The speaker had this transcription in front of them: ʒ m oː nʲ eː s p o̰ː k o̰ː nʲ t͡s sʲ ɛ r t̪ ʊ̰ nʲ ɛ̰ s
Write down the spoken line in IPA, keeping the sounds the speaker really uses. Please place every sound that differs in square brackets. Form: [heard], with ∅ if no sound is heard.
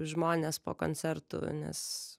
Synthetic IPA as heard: ʒ m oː nʲ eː s p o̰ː k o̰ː nʲ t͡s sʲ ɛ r t̪ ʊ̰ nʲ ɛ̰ s